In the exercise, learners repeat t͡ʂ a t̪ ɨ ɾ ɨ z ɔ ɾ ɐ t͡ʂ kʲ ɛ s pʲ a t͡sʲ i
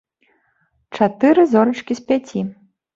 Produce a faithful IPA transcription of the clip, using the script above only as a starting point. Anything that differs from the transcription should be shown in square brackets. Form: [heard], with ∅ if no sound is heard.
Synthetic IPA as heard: t͡ʂ a t̪ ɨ ɾ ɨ z ɔ ɾ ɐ t͡ʂ kʲ [i] s pʲ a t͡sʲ i

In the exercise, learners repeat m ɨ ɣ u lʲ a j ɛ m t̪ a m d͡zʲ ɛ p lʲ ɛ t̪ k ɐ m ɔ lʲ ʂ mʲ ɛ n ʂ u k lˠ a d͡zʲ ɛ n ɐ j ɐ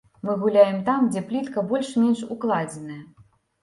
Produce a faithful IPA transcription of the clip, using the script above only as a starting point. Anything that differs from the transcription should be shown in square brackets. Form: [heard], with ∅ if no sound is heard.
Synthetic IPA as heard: m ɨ ɣ u lʲ a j ɛ m t̪ a m d͡zʲ ɛ p lʲ [i] t̪ k ɐ [b] ɔ lʲ ʂ mʲ ɛ n ʂ u k lˠ a d͡zʲ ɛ n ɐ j ɐ

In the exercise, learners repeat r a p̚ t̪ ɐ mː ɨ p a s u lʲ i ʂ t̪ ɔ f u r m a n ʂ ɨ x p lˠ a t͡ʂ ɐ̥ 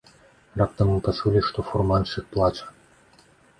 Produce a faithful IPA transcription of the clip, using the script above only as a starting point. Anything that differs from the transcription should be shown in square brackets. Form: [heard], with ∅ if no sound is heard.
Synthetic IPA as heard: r a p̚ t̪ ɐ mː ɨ p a s u lʲ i ʂ t̪ ɔ f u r m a n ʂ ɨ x p lˠ a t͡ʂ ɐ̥

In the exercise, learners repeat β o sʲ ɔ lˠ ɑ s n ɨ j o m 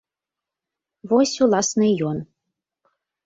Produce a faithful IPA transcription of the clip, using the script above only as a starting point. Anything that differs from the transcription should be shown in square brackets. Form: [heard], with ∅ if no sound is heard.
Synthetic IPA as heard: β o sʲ [u] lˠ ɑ s n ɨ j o [n]

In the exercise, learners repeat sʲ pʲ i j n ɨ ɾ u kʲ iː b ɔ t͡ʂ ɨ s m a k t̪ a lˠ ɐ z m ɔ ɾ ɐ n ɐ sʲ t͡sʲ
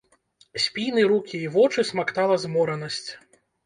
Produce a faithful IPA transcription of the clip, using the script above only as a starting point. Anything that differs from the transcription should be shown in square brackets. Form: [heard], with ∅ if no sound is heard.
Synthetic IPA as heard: sʲ pʲ i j n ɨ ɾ u kʲ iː [v] ɔ t͡ʂ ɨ s m a k t̪ a lˠ ɐ z m ɔ ɾ ɐ n ɐ sʲ t͡sʲ

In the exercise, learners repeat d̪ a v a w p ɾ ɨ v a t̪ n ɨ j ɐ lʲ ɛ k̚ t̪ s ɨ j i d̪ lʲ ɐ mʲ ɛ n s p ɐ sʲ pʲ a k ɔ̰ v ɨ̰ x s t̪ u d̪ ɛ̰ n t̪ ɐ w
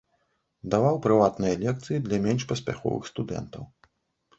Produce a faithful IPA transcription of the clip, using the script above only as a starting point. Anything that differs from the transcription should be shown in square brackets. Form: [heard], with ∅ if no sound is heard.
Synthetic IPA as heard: d̪ a v a w p ɾ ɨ v a t̪ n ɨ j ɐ lʲ ɛ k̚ t̪ s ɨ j i d̪ lʲ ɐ mʲ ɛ n [ʂ] p ɐ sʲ pʲ a [x] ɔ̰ v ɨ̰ x s t̪ u d̪ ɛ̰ n t̪ ɐ w

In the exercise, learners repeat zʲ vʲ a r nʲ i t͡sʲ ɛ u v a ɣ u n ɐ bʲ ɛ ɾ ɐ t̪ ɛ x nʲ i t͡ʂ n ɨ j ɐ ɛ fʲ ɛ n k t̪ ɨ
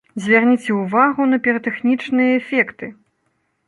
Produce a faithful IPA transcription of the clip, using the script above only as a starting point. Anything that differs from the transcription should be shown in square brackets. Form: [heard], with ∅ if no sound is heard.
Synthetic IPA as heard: zʲ vʲ a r nʲ i t͡sʲ ɛ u v a ɣ u n ɐ [pʲ] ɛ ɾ ɐ t̪ ɛ x nʲ i t͡ʂ n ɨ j ɐ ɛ fʲ ɛ [∅] k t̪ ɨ

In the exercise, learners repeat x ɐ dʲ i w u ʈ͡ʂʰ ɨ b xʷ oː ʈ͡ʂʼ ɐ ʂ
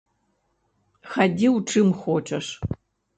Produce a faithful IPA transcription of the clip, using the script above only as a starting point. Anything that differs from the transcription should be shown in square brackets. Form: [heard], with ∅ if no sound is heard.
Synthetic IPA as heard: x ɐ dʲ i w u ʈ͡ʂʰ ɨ [m] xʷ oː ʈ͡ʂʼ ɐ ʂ

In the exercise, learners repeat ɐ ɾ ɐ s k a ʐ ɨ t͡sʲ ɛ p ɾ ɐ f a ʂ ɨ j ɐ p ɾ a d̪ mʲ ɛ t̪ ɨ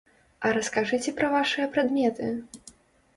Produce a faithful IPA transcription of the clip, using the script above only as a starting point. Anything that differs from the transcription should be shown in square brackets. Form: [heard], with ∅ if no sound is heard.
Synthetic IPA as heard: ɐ ɾ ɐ s k a ʐ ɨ t͡sʲ ɛ p ɾ ɐ [v] a ʂ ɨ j ɐ p ɾ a d̪ mʲ ɛ t̪ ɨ

